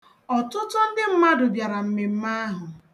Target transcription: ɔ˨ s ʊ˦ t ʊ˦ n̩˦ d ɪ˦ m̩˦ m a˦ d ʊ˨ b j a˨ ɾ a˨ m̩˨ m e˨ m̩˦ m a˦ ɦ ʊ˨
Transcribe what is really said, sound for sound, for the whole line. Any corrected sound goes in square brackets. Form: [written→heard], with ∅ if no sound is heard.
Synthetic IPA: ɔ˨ [s→t] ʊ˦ t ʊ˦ n̩˦ d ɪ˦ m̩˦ m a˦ d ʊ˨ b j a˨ ɾ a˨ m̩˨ m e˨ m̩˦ m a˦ ɦ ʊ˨